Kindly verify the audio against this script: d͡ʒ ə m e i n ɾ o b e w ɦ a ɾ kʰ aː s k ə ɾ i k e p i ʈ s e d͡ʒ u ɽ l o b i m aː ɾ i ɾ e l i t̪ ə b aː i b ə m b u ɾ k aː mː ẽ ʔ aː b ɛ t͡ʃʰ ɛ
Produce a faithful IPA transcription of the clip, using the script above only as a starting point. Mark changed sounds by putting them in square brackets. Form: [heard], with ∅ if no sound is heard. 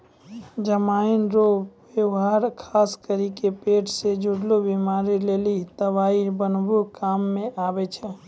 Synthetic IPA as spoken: d͡ʒ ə m [a] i n ɾ o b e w ɦ a ɾ kʰ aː s k ə ɾ i k e p [e] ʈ s e d͡ʒ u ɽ l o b i m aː ɾ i [l] e l i t̪ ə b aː i b ə [n] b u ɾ k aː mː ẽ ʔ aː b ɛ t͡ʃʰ ɛ